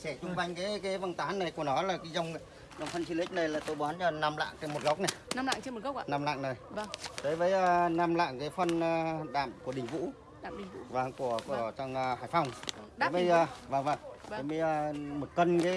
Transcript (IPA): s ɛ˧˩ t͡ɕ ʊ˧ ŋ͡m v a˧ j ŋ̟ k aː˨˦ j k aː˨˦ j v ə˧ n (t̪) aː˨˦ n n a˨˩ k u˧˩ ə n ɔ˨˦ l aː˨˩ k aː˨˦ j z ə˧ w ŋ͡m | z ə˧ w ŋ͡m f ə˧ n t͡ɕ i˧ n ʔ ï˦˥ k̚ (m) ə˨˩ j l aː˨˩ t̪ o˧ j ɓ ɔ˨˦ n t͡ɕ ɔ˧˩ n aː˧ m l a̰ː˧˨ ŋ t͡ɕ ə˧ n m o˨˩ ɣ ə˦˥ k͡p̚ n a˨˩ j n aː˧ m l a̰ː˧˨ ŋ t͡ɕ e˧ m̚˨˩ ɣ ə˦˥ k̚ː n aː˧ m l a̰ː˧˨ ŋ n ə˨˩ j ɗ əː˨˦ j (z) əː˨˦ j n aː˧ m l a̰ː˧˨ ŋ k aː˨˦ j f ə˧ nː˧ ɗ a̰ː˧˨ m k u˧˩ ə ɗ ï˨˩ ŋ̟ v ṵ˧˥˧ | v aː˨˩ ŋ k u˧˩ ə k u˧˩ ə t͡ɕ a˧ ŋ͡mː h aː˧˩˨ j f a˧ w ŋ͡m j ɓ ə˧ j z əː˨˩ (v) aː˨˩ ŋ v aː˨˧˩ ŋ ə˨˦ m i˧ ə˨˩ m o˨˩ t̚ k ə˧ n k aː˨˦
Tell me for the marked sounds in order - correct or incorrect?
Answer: correct, incorrect, incorrect, correct

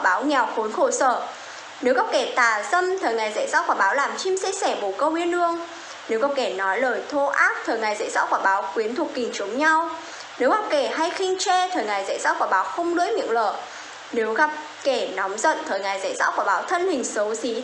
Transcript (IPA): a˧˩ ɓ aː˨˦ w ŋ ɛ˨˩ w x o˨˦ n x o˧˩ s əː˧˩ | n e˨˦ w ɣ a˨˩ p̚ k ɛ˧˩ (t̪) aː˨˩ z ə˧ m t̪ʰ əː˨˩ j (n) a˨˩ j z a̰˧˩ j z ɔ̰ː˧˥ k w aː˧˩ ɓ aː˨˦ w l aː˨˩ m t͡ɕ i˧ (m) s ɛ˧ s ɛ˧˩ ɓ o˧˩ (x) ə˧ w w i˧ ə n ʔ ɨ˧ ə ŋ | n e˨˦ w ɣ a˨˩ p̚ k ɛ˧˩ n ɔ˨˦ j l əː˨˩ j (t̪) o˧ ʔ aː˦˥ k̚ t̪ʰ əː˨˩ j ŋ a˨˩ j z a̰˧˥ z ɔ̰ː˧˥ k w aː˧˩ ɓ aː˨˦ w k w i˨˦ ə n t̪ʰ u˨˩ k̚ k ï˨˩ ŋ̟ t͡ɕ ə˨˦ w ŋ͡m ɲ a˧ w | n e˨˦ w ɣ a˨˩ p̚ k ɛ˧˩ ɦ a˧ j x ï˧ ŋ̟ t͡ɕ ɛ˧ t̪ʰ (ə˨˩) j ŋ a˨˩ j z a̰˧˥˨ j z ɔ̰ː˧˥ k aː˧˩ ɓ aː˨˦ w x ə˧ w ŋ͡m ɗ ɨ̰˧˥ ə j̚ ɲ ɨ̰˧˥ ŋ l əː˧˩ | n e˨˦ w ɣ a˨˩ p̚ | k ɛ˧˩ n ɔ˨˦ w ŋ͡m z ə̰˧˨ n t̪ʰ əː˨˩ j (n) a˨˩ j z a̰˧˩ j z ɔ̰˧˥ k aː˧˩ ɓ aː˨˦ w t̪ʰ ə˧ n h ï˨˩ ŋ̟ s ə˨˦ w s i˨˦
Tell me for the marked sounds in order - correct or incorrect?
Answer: correct, incorrect, correct, incorrect, incorrect, incorrect, incorrect

